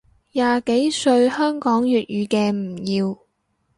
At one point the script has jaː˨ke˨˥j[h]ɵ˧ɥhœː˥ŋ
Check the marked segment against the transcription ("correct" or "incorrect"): incorrect